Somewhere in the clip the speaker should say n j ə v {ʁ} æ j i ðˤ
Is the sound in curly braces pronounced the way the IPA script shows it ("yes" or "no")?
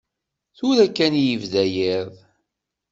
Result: no